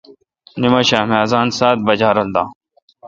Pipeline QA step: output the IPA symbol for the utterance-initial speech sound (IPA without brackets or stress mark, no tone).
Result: n